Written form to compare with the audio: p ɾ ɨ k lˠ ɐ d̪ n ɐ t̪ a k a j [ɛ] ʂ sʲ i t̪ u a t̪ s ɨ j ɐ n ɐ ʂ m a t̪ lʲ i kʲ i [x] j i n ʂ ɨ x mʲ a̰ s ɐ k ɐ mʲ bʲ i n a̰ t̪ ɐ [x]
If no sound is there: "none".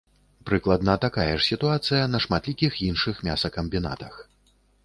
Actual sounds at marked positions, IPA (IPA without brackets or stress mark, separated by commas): ɛ, x, x